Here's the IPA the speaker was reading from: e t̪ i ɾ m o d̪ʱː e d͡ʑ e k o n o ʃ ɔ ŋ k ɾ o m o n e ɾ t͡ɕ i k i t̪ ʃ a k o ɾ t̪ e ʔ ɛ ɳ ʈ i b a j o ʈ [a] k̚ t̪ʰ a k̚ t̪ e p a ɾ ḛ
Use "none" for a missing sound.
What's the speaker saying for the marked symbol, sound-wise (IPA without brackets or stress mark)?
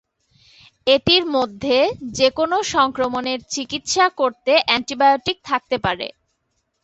i